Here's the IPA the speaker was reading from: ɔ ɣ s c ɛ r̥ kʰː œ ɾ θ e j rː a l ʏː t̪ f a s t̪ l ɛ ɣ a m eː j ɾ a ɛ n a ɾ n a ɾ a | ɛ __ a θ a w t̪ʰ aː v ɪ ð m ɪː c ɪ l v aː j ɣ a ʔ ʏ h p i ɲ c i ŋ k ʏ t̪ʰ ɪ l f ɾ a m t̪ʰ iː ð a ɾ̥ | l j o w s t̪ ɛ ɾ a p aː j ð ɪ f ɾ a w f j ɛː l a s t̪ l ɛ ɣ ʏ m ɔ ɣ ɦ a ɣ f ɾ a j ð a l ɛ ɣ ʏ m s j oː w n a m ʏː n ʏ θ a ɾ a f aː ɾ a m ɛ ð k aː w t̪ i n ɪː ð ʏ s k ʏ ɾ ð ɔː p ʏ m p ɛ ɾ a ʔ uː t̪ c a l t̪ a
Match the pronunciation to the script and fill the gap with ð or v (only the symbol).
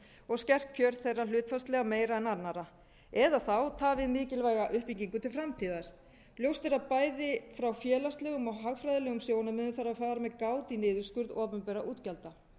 ð